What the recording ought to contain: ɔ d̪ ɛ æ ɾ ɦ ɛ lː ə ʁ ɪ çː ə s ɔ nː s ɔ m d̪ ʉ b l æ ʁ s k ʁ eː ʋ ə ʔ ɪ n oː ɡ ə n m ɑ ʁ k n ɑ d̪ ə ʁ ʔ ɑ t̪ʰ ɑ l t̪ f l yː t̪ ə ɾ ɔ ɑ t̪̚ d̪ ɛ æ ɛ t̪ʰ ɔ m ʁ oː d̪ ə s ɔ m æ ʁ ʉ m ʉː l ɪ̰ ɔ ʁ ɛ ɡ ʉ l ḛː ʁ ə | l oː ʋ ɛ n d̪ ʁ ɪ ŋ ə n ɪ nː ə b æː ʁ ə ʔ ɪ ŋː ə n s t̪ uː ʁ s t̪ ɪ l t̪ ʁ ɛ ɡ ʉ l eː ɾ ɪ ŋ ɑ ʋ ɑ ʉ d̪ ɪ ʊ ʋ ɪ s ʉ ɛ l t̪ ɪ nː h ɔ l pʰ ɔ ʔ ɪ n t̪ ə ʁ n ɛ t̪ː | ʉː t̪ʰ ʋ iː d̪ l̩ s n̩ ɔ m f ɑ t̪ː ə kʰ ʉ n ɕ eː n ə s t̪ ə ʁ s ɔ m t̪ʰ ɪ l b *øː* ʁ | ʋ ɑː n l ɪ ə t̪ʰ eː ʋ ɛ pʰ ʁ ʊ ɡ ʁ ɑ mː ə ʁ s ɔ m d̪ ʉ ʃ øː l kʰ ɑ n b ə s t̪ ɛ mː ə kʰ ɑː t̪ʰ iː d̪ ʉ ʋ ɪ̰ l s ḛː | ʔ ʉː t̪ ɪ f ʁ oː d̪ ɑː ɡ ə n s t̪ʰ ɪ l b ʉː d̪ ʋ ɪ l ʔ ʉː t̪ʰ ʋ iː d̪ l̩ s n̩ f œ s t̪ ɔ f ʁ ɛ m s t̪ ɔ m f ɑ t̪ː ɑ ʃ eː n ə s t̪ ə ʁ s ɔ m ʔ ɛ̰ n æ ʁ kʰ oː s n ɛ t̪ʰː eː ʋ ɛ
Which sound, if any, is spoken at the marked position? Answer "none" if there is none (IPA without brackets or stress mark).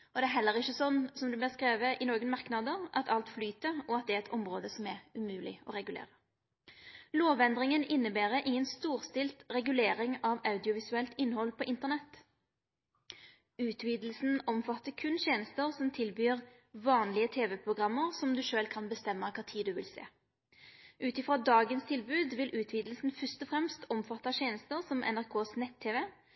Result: yː